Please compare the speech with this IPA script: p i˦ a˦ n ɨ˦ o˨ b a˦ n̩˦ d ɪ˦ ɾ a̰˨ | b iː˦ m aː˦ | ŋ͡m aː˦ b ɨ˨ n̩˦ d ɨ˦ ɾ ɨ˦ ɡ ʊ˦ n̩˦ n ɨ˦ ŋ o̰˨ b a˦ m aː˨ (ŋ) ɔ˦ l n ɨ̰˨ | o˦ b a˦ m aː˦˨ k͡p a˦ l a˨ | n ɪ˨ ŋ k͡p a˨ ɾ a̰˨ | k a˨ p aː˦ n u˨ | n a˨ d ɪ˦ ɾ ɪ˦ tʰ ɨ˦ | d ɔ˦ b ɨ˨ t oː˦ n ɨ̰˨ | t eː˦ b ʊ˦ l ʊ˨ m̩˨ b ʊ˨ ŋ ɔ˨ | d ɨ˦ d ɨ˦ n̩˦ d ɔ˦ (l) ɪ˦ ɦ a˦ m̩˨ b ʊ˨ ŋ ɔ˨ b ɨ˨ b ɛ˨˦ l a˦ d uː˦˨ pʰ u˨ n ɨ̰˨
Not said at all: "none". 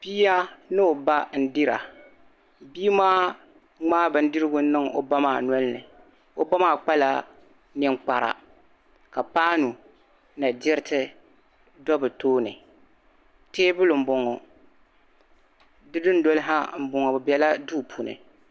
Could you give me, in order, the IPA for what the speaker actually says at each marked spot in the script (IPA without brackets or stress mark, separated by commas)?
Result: n, l